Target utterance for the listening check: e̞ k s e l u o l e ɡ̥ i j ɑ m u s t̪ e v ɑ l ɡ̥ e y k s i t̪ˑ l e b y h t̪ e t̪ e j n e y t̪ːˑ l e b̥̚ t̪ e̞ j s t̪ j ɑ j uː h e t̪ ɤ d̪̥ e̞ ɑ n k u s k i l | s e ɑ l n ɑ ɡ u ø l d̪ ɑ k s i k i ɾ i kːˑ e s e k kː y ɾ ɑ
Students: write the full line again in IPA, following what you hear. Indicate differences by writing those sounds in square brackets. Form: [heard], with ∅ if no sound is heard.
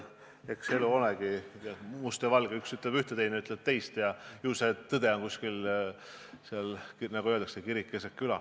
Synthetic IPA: e̞ k s e l u o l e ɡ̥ i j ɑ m u s t̪ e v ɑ l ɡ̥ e y k s [y] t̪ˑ l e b y h t̪ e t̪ e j n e y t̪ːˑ l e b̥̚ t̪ e̞ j s t̪ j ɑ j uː [s] e t̪ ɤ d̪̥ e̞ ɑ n k u s k i l | s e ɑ l n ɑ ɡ u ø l d̪ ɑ k s [e] k i ɾ i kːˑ e s e k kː y [l] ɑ